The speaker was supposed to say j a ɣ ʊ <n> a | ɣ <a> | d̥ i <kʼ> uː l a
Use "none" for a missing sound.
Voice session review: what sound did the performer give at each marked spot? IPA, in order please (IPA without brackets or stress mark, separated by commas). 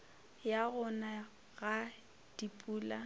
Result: n, a, pʼ